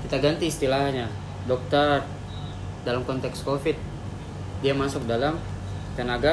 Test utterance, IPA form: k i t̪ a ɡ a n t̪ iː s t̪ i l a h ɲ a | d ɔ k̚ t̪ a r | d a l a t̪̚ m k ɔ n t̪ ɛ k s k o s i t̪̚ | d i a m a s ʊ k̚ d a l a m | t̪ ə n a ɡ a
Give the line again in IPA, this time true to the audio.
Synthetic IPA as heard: k i t̪ a ɡ a n t̪ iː s t̪ i l a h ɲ a | d ɔ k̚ t̪ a r | d a l a m k ɔ n t̪ ɛ k s k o f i t̪̚ | d i a m a s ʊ k̚ d a l a m | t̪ ə n a ɡ a